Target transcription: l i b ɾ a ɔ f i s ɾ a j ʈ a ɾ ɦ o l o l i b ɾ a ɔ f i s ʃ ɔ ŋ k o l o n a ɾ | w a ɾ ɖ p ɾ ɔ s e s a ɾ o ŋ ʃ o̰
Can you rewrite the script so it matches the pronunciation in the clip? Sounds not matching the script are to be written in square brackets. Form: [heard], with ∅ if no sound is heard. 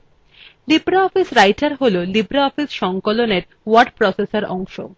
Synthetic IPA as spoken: l i b ɾ a ɔ f i s ɾ a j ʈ a ɾ ɦ o l o l i b ɾ a ɔ f i s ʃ ɔ ŋ k o l o n [e] ɾ | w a ɾ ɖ p ɾ ɔ s e s a ɾ [ɔ] ŋ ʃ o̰